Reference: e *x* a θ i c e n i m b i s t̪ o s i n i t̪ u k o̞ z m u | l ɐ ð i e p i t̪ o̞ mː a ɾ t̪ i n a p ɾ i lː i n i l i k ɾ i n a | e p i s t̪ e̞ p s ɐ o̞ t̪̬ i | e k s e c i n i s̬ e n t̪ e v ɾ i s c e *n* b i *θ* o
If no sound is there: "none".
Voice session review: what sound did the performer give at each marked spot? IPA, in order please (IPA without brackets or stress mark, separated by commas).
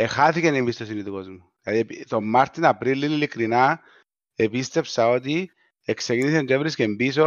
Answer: x, m, s